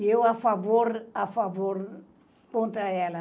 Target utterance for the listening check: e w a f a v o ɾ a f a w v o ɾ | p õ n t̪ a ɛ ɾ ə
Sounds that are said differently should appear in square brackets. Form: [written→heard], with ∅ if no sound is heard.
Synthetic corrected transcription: e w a f a v o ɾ a f a [w→∅] v o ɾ | p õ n t̪ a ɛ [ɾ→l] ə